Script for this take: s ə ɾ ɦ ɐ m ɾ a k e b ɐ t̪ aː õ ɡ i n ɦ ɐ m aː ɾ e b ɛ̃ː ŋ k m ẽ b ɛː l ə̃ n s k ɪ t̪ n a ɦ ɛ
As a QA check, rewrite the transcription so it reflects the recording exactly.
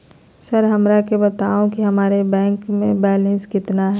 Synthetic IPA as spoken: s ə ɾ ɦ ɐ m ɾ a k e b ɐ t̪ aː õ k i ɦ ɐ m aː ɾ e b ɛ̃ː ŋ k m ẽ b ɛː l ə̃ n s k ɪ t̪ n a ɦ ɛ